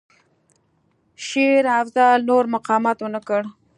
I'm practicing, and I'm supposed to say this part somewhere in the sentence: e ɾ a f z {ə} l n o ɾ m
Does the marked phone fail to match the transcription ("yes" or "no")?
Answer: yes